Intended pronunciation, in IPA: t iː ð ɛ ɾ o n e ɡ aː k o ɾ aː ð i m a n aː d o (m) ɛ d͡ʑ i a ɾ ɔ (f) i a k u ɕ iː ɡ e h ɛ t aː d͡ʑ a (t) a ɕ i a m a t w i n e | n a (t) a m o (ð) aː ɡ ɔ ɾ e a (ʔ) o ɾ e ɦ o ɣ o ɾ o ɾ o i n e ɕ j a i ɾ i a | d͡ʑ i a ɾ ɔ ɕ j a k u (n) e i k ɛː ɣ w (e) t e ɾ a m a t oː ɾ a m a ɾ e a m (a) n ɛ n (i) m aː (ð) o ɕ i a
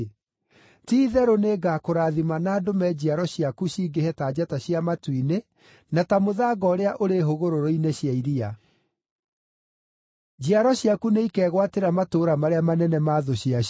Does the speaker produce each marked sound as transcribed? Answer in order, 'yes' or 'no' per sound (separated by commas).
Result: yes, no, yes, yes, yes, yes, yes, no, yes, no, yes